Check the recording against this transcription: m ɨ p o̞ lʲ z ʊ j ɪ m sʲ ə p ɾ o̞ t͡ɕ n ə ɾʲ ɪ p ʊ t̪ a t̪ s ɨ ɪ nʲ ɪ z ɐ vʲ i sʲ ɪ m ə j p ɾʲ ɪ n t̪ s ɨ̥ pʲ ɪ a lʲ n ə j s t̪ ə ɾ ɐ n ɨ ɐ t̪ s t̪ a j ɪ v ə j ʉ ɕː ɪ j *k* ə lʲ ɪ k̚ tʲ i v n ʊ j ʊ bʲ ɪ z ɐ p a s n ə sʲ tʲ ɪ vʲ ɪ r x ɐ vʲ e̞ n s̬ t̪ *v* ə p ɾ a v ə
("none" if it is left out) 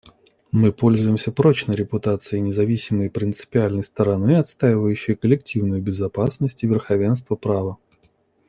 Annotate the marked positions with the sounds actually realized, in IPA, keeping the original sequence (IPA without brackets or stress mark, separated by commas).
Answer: k, v